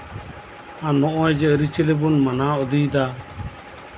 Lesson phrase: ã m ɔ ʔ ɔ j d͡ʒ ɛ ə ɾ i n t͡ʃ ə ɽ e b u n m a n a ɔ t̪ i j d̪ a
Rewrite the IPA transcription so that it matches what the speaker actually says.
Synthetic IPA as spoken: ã n ɔ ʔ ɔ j d͡ʒ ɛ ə ɾ i t͡ʃ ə l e b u n m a n a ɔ d̪ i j d̪ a